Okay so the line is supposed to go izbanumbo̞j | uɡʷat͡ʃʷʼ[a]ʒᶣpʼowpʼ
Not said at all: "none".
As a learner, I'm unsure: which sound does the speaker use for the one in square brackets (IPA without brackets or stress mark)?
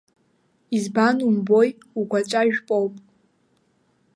a